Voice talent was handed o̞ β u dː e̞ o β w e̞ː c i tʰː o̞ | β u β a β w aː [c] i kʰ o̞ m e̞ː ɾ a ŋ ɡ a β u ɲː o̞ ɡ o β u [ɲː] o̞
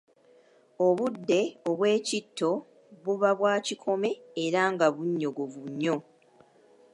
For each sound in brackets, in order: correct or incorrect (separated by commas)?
correct, correct